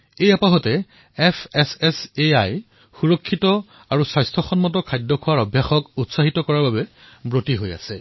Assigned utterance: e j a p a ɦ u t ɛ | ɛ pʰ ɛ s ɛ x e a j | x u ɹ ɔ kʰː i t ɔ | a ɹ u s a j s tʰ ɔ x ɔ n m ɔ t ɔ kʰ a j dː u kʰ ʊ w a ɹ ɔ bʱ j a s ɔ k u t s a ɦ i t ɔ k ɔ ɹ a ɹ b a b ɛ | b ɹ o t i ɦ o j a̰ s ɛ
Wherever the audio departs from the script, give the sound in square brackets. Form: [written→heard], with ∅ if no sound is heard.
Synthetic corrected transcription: e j a p a ɦ [u→ɔ] t ɛ | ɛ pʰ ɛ s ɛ [x→s] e a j | x u ɹ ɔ kʰː i t ɔ | a ɹ u s a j s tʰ ɔ x ɔ n m ɔ t ɔ kʰ a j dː [u→ɔ] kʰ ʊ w a ɹ ɔ bʱ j a [s→x] ɔ k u t s a ɦ i t ɔ k ɔ ɹ a ɹ b a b ɛ | b ɹ o t i ɦ o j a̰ s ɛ

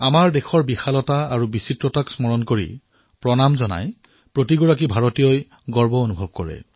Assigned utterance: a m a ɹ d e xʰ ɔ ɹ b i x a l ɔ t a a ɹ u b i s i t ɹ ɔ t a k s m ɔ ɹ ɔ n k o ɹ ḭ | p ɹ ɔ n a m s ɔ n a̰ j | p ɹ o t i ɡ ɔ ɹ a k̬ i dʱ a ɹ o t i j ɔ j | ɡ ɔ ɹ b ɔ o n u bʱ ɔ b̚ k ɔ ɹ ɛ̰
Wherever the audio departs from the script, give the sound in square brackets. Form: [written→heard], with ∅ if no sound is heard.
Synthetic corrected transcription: a m a ɹ d e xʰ ɔ ɹ b i x a l ɔ t a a ɹ u b i s i t ɹ ɔ t a k s m ɔ ɹ ɔ n k o ɹ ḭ | p ɹ ɔ n a m [s→z] ɔ n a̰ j | p ɹ o t i ɡ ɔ ɹ a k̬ i [dʱ→bʱ] a ɹ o t i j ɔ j | ɡ ɔ ɹ b ɔ o n u bʱ ɔ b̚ k ɔ ɹ ɛ̰

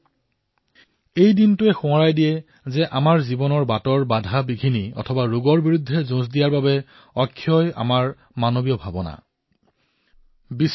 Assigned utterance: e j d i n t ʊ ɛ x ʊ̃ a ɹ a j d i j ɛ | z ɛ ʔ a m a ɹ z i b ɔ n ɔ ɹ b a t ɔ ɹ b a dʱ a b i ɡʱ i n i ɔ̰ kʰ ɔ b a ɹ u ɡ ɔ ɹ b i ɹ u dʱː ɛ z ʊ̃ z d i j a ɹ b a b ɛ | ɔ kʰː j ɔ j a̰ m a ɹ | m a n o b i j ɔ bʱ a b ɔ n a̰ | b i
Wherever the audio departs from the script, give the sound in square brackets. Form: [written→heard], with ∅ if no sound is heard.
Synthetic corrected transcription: e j d i n t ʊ ɛ x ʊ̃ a ɹ a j d i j ɛ | z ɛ ʔ a m a ɹ z i b ɔ n ɔ ɹ b a t ɔ ɹ b a dʱ a b i ɡʱ i n i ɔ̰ [kʰ→tʰ] ɔ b a ɹ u ɡ ɔ ɹ b i ɹ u dʱː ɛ z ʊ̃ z d i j a ɹ b a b ɛ | ɔ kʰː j ɔ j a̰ m a ɹ | m a n o b i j ɔ bʱ a b ɔ n a̰ | b i

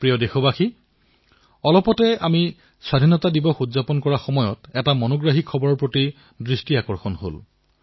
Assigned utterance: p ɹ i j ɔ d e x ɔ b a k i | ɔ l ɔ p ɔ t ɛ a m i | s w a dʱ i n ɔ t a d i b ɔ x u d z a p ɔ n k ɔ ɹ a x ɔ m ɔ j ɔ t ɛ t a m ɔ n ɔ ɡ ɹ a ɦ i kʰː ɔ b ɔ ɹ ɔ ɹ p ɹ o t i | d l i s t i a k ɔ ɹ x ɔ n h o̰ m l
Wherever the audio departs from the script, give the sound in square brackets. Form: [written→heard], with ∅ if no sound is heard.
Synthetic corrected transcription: p ɹ i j ɔ d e x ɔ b a [k→x] i | ɔ l ɔ p ɔ t ɛ a m i | s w a dʱ i n ɔ t a d i b ɔ x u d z a p ɔ n k ɔ ɹ a x ɔ m ɔ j ɔ t ɛ t a m ɔ n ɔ ɡ ɹ a ɦ i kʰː ɔ b ɔ ɹ ɔ ɹ p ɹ o t i | d [l→ɹ] i s t i a k ɔ ɹ x ɔ n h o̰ [m→∅] l

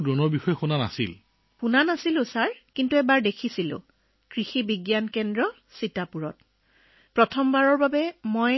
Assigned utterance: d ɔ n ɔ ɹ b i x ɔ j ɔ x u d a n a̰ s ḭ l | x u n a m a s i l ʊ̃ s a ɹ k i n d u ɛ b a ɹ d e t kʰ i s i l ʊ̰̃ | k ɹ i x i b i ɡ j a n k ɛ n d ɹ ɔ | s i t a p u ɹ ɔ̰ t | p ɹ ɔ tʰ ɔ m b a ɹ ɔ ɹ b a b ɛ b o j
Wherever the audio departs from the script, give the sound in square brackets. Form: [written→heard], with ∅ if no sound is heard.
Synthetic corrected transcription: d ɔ n ɔ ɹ b i x ɔ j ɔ x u [d→n] a n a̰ s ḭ l | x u n a [m→n] a s i l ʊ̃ s a ɹ k i n [d→t] u ɛ b a ɹ d e [t→∅] kʰ i s i l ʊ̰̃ | k ɹ i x i b i ɡ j a n k ɛ n d ɹ ɔ | s i t a p u ɹ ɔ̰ t | p ɹ ɔ tʰ ɔ m b a ɹ ɔ ɹ b a b ɛ [b→m] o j

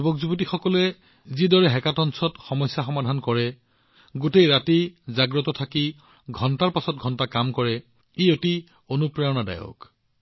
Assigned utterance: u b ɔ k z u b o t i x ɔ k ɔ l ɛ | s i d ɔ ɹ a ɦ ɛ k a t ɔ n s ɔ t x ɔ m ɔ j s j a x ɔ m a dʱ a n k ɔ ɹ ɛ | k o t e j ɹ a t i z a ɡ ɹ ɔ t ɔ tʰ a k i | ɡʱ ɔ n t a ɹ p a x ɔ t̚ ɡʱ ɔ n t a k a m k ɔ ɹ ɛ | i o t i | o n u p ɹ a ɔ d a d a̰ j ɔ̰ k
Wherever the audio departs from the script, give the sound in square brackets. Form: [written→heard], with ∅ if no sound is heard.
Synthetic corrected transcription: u b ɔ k z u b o t i x ɔ k ɔ l ɛ | [s→z] i d ɔ ɹ [a→ɛ] ɦ ɛ k a t ɔ n s ɔ t x ɔ m ɔ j s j a x ɔ m a dʱ a n k ɔ ɹ ɛ | [k→ɡ] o t e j ɹ a t i z a ɡ ɹ ɔ t ɔ tʰ a k i | ɡʱ ɔ n t a ɹ p a [x→s] ɔ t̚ ɡʱ ɔ n t a k a m k ɔ ɹ ɛ | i o t i | o n u p ɹ a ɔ [d→n] a d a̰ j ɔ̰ k

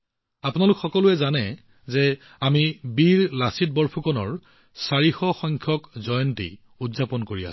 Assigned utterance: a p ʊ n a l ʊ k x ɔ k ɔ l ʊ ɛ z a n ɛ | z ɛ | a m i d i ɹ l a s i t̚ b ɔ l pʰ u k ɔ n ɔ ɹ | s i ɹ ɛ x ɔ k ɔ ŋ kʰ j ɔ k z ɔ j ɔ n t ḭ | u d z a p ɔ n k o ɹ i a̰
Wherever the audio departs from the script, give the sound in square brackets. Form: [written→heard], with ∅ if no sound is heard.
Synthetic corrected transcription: a p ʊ n a l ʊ k x ɔ k ɔ l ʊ ɛ z a n ɛ | z ɛ | a m i [d→b] i ɹ l a s i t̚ b ɔ [l→ɹ] pʰ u k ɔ n ɔ ɹ | s [i→a] ɹ [ɛ→i] x ɔ [k→x] ɔ ŋ kʰ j ɔ k z ɔ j ɔ n t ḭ | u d z a p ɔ n k o ɹ i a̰

